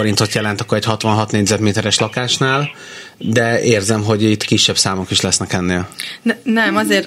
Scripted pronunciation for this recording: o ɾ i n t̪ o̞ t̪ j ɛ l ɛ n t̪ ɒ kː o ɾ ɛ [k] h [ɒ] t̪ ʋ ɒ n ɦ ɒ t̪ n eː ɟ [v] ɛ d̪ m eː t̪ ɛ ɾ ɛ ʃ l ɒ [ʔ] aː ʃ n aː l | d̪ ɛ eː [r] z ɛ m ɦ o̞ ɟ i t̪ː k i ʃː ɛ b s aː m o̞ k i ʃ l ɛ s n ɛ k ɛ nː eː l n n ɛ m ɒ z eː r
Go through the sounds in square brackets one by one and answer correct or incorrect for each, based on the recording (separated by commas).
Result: incorrect, correct, incorrect, incorrect, correct